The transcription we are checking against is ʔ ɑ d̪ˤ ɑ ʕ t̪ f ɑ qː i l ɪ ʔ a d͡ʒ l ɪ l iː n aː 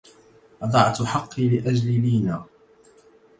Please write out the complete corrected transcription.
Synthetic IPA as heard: ʔ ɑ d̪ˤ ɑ ʕ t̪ ħ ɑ qː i l ɪ ʔ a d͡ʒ l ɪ l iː n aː